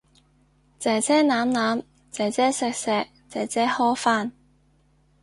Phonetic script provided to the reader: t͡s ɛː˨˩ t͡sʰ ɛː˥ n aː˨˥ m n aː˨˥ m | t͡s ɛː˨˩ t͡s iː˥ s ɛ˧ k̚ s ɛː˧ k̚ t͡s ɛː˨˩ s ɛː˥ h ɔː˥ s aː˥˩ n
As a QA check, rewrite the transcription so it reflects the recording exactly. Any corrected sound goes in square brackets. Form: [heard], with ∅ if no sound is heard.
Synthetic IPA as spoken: t͡s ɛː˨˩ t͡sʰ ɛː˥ n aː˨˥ m n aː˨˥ m | t͡s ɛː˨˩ t͡s [ɛː˥] s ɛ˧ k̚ s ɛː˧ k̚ t͡s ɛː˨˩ [t͡s] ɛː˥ h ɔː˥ [f] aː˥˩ n